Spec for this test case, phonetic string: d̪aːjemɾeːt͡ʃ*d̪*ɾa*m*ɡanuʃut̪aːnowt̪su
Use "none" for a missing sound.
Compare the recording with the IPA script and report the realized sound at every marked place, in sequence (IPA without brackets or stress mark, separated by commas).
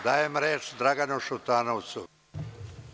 d̪, none